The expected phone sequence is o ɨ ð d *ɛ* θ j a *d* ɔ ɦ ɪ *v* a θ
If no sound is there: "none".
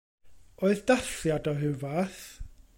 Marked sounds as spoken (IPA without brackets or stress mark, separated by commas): a, d, v